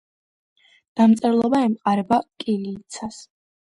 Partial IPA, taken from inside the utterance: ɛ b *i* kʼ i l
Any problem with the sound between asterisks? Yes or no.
yes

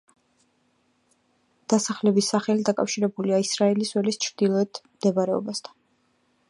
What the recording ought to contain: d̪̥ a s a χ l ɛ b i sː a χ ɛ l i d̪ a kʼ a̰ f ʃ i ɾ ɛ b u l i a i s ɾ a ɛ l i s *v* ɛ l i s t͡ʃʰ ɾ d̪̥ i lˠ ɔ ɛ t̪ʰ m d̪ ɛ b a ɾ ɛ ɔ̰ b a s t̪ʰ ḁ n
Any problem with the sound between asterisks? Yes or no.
yes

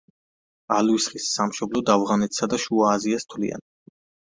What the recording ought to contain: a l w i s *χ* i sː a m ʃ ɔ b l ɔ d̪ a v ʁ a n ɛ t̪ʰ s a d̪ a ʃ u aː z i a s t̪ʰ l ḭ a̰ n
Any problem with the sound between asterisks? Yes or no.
no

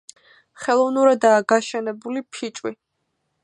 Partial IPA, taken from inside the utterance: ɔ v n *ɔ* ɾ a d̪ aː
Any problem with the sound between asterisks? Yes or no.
yes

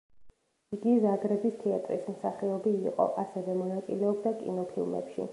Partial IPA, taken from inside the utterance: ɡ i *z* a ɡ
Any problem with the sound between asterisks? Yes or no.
no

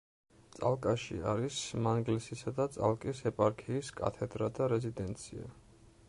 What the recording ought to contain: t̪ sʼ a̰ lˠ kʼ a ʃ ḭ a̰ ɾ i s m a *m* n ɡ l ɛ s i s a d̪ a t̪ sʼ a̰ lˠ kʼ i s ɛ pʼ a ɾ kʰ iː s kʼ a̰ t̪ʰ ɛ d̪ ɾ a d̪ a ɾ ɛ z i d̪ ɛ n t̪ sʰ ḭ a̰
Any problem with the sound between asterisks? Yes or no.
yes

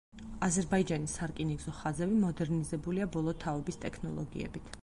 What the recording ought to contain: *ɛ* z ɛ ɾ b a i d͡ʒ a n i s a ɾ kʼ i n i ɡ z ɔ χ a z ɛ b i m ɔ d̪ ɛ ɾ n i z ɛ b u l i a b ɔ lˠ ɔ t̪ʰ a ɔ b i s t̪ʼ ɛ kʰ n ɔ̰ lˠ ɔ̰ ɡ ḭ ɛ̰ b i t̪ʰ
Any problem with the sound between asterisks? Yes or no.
yes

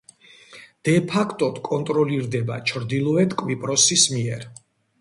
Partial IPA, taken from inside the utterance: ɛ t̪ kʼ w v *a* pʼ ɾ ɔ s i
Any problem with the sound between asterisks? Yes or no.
yes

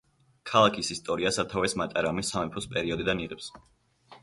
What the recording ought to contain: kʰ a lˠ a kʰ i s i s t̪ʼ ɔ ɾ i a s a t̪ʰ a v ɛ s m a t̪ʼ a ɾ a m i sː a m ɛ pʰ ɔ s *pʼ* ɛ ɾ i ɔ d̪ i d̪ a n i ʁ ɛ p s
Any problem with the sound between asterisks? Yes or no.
no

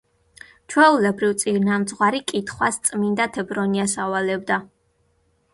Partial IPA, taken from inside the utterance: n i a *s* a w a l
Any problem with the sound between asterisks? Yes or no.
no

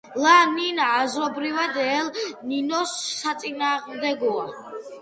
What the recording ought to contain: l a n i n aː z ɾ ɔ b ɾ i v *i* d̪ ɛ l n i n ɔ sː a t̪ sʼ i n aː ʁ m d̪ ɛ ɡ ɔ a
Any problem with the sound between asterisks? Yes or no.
yes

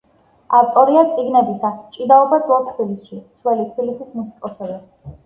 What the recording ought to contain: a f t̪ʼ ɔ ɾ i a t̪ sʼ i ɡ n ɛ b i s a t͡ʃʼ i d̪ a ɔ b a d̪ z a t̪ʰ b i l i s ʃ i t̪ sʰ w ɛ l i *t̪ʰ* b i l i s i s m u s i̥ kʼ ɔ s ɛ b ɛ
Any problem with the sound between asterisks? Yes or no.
no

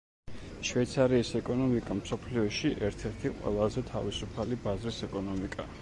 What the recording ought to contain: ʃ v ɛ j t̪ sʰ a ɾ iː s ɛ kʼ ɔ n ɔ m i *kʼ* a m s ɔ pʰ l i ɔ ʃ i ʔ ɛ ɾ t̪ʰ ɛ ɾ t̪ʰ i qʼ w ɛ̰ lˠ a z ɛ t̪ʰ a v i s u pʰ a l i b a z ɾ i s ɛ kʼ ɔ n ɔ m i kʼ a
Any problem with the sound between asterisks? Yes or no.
no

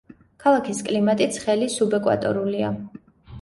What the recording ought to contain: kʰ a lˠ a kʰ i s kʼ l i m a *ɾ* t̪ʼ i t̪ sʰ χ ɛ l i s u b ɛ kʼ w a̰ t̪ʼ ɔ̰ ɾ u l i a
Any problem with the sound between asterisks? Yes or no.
yes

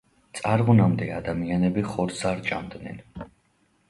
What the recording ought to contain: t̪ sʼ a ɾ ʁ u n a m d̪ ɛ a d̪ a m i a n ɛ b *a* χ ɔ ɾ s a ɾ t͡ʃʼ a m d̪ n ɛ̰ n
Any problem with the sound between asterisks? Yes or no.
yes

